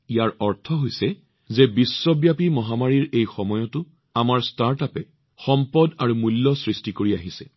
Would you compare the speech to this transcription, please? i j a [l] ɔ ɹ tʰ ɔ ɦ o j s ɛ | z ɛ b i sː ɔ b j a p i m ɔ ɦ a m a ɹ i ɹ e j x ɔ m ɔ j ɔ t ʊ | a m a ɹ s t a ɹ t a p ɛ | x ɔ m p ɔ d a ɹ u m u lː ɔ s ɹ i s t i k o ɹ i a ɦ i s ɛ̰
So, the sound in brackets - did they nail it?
no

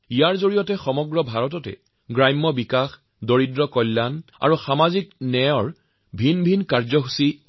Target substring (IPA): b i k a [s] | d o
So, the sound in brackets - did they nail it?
no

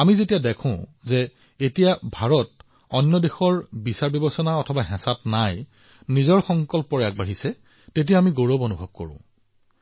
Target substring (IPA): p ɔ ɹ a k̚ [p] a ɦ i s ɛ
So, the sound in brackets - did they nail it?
no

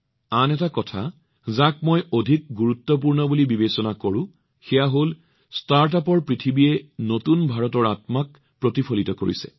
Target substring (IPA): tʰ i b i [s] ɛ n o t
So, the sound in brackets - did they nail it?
no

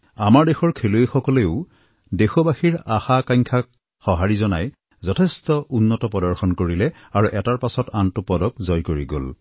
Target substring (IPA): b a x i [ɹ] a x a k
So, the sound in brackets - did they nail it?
yes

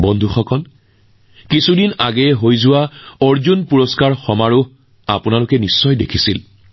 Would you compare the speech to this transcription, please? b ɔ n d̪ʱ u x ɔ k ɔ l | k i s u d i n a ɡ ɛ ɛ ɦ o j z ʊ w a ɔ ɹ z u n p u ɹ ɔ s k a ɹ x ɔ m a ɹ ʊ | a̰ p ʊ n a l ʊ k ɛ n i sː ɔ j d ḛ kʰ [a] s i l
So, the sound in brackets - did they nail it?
no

